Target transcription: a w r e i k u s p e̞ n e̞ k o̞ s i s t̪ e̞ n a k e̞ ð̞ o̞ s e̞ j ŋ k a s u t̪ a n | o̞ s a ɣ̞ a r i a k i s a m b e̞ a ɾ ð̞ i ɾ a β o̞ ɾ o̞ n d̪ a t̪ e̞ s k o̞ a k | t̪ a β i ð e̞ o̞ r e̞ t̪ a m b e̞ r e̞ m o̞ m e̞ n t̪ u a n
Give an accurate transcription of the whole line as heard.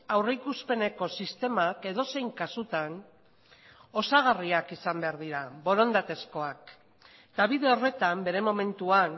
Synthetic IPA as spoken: a w r e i k u s p e̞ n e̞ k o̞ s i s t̪ e̞ m a k e̞ ð̞ o̞ s e̞ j ŋ k a s u t̪ a n | o̞ s a ɣ̞ a r i a k i s a m b e̞ a ɾ ð̞ i ɾ a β o̞ ɾ o̞ n d̪ a t̪ e̞ s k o̞ a k | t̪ a β i ð e̞ o̞ r e̞ t̪ a m b e̞ ɾ e̞ m o̞ m e̞ n t̪ u a n